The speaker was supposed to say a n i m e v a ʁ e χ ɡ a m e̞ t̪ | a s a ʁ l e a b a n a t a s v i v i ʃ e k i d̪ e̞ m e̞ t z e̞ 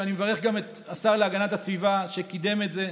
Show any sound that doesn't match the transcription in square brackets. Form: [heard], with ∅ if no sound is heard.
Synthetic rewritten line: a n i m e v a ʁ e χ ɡ a m e̞ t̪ | a s a ʁ l e a [ɡ] a n a t a s v i v [a] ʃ e k i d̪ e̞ m e̞ t z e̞